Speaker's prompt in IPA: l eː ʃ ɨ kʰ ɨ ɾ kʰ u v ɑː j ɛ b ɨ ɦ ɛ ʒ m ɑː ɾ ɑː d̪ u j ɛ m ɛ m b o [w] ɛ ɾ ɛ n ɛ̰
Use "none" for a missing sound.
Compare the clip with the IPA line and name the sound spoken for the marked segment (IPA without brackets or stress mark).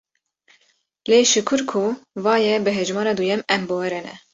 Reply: w